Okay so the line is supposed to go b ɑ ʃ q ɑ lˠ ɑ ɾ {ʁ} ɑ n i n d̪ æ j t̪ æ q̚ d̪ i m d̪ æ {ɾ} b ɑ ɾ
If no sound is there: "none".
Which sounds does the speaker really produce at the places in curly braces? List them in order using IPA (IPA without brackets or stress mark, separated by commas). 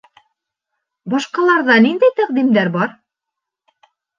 ð, ɾ